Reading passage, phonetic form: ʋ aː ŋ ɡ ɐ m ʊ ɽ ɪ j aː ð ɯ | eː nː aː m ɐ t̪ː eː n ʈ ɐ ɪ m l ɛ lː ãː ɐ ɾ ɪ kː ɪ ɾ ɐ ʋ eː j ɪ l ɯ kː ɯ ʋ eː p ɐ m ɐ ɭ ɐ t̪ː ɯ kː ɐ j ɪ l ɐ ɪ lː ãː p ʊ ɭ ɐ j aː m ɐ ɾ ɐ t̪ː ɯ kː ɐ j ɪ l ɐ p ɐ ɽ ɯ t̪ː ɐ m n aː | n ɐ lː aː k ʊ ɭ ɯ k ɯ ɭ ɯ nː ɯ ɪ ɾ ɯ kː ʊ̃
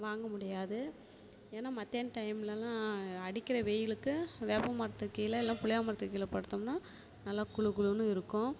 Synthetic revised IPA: ʋ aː ŋ ɡ ɐ m ʊ ɽ ɪ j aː ð ɯ | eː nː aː m ɐ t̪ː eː n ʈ ɐ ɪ m l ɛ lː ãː ɐ ɽ ɪ kː ɪ ɾ ɐ ʋ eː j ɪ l ɯ kː ɯ ʋ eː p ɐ m ɐ ɾ ɐ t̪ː ɯ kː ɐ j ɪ l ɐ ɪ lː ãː p ʊ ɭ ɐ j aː m ɐ ɾ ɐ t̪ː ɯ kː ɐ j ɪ l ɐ p ɐ ɽ ɯ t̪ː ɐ m n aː | n ɐ lː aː k ʊ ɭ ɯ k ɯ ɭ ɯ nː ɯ ɪ ɾ ɯ kː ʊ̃